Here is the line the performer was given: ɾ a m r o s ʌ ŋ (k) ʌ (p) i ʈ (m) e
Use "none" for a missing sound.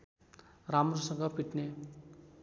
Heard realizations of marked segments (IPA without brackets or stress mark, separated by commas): ɡ, p, n